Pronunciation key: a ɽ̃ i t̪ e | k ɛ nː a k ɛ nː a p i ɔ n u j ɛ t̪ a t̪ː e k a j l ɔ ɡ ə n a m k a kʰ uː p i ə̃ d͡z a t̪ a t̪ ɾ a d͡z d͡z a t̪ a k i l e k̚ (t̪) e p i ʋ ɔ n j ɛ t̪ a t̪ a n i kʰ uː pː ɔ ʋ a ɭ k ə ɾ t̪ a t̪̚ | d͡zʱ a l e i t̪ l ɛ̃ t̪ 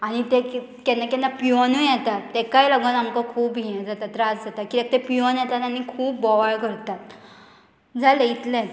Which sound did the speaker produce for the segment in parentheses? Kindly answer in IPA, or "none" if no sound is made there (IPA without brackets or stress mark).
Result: t̪